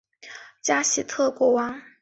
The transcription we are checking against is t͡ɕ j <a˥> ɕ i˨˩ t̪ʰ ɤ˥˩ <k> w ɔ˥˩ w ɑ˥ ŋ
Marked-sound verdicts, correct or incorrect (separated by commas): correct, correct